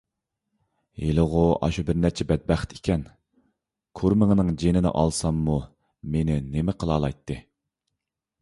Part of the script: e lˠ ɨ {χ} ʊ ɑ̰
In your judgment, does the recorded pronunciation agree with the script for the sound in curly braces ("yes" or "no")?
no